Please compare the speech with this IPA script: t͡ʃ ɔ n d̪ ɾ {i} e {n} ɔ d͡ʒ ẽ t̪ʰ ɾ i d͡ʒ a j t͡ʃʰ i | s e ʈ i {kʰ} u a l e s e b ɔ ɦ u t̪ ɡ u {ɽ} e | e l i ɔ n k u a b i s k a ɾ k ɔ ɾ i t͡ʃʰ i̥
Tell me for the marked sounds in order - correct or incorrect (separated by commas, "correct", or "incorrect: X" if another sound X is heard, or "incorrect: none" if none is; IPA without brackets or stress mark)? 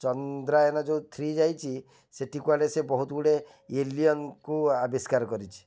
incorrect: a, correct, incorrect: k, correct